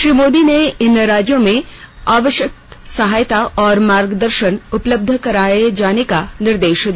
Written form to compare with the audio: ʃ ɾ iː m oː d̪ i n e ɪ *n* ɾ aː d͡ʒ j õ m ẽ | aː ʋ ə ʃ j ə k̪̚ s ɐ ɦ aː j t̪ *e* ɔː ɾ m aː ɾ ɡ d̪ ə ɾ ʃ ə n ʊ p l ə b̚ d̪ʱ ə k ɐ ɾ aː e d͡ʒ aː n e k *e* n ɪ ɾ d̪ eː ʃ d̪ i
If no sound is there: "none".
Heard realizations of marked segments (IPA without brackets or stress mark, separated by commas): n, a, a